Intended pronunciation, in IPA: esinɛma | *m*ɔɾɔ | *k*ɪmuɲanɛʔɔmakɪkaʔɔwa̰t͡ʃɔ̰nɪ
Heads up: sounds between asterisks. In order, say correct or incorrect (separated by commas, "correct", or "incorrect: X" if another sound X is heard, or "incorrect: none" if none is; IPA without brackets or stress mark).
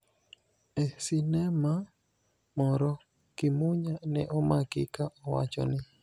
correct, correct